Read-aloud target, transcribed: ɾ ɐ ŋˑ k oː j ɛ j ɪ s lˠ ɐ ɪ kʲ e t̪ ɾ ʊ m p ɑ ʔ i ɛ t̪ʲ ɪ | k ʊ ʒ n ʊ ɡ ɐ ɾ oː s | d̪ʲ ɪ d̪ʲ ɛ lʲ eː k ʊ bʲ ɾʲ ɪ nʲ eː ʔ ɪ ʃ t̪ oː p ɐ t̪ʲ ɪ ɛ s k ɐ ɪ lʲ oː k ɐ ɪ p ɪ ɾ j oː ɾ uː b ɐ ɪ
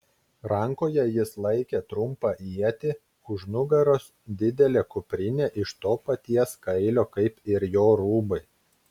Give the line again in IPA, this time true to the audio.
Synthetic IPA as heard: ɾ ɐ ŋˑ k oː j ɛ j ɪ s lˠ ɐ ɪ kʲ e t̪ ɾ ʊ m p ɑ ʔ i ɛ t̪ʲ ɪ | k ʊ ʒ n ʊ ɡ ɐ ɾ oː s | d̪ʲ ɪ d̪ʲ ɛ lʲ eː k ʊ pʲ ɾʲ ɪ nʲ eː ʔ ɪ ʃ t̪ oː p ɐ t̪ʲ i ɛ s k ɐ ɪ lʲ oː k ɐ ɪ p ɪ ɾ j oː ɾ uː b ɐ ɪ

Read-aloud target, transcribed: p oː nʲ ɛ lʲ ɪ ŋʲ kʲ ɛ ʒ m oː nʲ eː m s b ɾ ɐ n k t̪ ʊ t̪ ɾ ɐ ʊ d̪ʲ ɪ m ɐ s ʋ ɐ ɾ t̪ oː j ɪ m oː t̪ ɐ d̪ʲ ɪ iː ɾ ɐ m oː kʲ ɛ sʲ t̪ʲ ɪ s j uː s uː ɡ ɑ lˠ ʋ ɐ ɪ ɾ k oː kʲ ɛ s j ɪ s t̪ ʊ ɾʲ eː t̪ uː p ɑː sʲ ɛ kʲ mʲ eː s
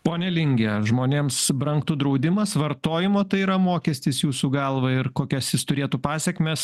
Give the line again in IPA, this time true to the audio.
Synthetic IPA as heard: p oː nʲ ɛ lʲ ɪ ŋʲ ɡʲ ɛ ʒ m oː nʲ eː m s b ɾ ɐ ŋ k t̪ ʊ d̪ ɾ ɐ ʊ d̪ʲ ɪ m ɐ s ʋ ɐ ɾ t̪ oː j ɪ m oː t̪ ɐ ɪ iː ɾ ɐ m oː kʲ ɛ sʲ t̪ʲ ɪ s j uː s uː ɡ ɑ lˠ ʋ ɐ ɪ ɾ k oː kʲ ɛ s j ɪ s t̪ ʊ ɾʲ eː t̪ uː p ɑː sʲ ɛ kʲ mʲ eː s

